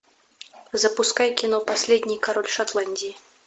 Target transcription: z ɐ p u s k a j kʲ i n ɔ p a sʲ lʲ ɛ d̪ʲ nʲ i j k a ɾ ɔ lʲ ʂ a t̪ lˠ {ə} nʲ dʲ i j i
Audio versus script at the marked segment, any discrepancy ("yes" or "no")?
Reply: yes